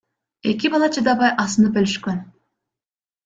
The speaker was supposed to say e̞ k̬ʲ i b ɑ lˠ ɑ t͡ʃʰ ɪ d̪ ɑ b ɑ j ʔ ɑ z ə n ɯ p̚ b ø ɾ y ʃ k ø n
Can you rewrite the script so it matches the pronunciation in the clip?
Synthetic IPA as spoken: e̞ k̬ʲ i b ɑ lˠ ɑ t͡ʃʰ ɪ d̪ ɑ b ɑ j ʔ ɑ s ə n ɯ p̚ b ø l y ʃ k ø n